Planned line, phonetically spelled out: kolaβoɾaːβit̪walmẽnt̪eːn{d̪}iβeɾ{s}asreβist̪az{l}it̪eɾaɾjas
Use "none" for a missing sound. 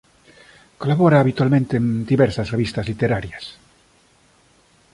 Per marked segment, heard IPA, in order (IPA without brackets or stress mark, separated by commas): d̪, s, l